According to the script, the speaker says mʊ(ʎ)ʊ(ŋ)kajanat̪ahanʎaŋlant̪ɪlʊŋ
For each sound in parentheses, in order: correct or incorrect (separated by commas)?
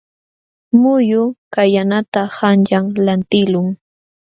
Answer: incorrect, incorrect